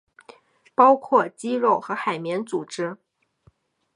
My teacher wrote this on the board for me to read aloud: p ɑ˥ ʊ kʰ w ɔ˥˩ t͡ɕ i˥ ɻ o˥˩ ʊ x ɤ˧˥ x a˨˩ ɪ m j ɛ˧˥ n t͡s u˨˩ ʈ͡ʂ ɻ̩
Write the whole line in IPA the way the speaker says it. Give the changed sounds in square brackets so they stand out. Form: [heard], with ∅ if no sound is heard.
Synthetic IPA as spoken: p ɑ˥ ʊ kʰ w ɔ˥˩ t͡ɕ i˥ ɻ o˥˩ ʊ x ɤ˧˥ x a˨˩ ɪ m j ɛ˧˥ n t͡s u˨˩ ʈ͡ʂ ɻ̩